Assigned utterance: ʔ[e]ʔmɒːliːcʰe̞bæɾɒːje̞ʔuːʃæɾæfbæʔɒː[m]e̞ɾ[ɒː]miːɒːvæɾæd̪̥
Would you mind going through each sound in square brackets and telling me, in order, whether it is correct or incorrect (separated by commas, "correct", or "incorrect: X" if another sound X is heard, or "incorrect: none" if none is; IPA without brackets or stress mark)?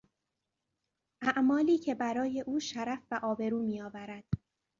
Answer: incorrect: æ, incorrect: b, incorrect: uː